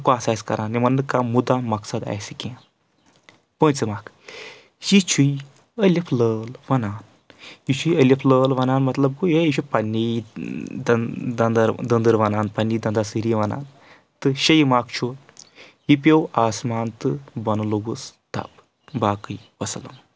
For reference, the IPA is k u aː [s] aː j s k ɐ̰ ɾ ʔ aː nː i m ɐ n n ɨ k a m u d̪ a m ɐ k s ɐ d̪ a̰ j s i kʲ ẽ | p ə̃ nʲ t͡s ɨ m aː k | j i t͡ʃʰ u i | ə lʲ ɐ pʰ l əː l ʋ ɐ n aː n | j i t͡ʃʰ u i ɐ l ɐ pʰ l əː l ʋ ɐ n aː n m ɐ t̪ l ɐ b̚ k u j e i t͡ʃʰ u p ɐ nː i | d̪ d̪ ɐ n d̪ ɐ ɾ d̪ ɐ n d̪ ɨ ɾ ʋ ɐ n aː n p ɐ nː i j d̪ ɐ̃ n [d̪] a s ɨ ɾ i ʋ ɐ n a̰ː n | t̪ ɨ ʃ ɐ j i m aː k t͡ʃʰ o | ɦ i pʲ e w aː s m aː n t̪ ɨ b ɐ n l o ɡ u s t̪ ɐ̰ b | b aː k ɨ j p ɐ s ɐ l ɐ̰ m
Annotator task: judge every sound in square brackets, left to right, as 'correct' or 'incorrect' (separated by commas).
correct, correct